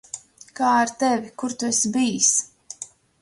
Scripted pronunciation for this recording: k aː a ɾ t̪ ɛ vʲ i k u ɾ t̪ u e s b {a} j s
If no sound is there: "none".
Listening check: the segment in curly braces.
i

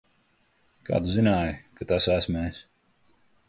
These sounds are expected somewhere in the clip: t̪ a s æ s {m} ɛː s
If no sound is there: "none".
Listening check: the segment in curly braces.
m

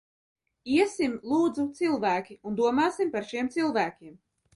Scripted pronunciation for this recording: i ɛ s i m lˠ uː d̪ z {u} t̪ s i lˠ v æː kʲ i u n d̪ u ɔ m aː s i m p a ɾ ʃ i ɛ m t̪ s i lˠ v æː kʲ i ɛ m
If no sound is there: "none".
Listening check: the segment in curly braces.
u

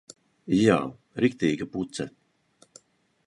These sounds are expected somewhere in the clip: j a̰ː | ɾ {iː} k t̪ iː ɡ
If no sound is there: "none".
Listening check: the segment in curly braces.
i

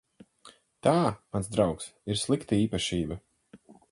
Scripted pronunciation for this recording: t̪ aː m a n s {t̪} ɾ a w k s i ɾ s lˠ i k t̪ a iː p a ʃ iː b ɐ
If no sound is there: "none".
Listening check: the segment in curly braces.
d̪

